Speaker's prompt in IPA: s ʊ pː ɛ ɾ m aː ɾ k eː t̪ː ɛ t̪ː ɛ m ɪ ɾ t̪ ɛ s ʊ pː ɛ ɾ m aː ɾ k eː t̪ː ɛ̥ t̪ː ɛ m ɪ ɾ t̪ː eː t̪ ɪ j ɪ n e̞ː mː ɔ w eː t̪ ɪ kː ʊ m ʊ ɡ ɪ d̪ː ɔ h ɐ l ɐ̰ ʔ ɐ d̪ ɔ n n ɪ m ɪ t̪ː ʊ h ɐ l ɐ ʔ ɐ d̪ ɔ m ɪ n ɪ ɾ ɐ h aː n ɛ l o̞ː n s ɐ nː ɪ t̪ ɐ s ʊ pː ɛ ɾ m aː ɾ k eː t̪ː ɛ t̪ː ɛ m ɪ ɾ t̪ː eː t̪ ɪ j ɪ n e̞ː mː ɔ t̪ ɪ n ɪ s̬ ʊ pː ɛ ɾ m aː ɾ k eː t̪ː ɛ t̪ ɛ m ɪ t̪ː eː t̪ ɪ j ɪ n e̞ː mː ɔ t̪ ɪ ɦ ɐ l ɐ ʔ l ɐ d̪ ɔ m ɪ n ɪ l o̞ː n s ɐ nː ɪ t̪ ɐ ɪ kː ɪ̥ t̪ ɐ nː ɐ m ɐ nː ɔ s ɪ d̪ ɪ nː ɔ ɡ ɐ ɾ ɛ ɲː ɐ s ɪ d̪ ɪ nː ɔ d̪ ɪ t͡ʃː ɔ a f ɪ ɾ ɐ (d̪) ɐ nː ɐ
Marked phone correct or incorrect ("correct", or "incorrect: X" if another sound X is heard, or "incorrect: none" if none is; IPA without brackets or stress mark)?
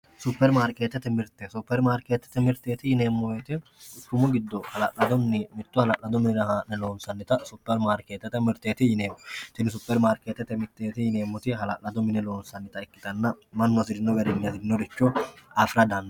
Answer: correct